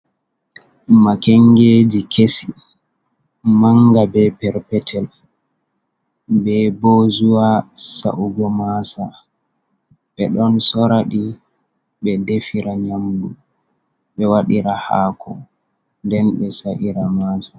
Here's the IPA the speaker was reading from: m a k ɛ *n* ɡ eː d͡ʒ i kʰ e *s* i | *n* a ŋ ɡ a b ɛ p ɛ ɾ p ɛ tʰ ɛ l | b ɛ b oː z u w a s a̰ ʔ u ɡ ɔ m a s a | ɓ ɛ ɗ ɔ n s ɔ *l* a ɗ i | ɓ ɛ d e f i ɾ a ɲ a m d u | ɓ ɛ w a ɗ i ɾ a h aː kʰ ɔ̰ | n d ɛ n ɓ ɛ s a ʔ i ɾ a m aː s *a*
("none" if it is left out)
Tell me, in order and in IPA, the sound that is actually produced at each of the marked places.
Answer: ŋ, s, m, ɾ, a

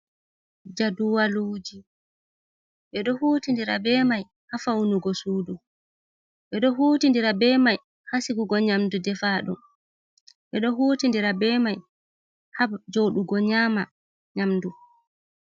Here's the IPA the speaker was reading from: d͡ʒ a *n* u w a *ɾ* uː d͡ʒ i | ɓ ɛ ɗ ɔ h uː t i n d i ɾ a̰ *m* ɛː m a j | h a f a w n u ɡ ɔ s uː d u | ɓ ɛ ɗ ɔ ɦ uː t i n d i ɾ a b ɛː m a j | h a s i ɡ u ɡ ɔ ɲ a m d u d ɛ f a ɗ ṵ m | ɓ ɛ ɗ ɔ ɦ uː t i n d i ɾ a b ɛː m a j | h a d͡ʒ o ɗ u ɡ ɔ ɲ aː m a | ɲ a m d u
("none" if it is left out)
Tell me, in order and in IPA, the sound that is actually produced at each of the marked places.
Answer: d, l, b

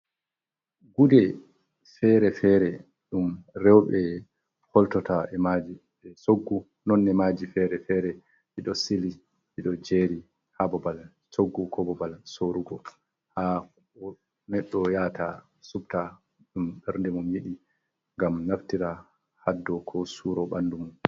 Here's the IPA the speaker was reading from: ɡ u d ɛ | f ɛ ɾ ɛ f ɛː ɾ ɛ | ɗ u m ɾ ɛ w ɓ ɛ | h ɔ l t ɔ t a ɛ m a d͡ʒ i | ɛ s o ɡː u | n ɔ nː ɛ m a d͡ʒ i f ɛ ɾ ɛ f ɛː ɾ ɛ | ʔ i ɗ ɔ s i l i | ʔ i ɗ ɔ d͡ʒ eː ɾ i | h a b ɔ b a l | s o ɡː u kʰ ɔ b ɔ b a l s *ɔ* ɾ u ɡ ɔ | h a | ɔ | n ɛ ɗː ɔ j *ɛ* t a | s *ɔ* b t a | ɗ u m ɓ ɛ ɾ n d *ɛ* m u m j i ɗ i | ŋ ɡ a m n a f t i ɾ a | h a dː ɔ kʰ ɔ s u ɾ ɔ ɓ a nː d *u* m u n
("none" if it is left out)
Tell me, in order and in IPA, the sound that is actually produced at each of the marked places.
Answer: o, a, u, ɛ, u

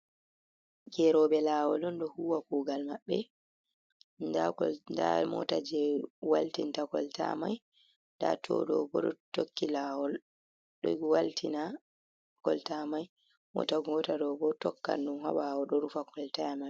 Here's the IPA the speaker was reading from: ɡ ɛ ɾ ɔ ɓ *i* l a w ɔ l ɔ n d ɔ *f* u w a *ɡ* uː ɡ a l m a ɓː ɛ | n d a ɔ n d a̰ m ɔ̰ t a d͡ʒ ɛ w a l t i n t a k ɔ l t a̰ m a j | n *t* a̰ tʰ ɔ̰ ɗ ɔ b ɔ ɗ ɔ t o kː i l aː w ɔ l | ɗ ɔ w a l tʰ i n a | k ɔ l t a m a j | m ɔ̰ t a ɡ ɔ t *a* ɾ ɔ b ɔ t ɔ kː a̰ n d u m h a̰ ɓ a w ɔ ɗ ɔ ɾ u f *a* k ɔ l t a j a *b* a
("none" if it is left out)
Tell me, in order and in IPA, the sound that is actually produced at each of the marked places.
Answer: ɛ, h, k, d, a, a, m

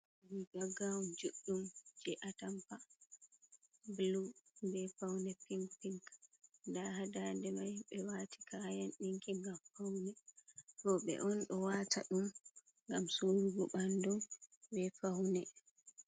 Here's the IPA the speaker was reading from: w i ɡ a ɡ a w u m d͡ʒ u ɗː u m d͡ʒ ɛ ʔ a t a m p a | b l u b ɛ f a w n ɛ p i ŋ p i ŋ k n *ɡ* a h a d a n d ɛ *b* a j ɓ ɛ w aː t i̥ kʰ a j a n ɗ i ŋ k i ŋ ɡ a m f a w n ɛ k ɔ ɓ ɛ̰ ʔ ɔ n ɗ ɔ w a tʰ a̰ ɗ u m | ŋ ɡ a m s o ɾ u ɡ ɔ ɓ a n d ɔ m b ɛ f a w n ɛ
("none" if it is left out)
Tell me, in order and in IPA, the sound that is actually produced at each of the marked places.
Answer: d, m

